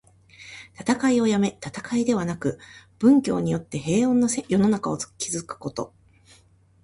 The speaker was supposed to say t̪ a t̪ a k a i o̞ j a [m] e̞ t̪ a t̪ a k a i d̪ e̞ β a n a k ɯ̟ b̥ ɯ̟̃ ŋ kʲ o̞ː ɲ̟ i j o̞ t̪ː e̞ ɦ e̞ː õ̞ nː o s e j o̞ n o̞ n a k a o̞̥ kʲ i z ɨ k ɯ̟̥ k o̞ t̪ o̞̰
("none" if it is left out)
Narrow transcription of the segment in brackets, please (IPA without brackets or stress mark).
m